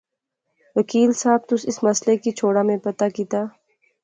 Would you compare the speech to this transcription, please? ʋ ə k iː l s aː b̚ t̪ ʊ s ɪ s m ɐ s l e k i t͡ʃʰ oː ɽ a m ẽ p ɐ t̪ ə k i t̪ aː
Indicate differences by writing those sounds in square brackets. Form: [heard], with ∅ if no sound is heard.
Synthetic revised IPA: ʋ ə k iː l s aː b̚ t̪ ʊ s ɪ s m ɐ s l e k i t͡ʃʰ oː ɽ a m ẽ p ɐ t̪ [a] k i t̪ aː